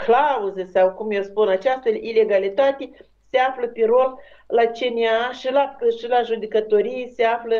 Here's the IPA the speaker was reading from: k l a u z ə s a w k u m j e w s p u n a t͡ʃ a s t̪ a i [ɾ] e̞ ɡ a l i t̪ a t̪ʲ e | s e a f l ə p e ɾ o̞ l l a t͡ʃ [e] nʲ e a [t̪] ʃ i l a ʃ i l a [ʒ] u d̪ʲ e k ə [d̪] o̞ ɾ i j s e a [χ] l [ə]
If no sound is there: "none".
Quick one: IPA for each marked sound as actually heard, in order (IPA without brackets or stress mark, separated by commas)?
l, e, none, ʒ, t̪, f, ə